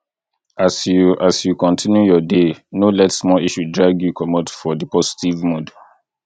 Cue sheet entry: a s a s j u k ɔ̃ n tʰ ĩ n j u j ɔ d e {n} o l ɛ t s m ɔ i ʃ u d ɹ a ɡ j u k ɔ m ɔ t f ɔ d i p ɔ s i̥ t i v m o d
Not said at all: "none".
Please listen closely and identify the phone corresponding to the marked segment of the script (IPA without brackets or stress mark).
n